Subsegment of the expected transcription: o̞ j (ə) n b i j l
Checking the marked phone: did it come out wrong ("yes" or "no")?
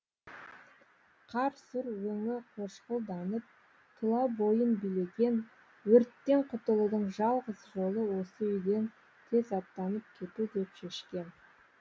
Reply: no